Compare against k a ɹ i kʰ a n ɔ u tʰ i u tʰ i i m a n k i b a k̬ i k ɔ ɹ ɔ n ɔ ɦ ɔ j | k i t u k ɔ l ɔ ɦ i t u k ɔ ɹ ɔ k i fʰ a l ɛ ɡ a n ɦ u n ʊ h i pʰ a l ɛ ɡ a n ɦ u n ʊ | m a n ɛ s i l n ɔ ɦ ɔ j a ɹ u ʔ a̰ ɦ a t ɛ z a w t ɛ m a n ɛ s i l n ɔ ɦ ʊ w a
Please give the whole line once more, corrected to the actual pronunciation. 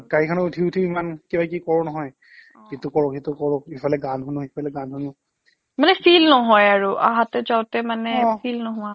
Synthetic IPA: k a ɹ i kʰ a n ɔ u tʰ i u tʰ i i m a n k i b a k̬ i k ɔ ɹ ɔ n ɔ ɦ ɔ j | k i t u k ɔ ɹ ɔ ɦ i t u k ɔ ɹ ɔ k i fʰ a l ɛ ɡ a n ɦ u n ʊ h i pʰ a l ɛ ɡ a n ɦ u n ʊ | m a n ɛ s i l n ɔ ɦ ɔ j a ɹ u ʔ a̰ ɦ a t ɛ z a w t ɛ m a n ɛ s i l n ɔ ɦ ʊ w a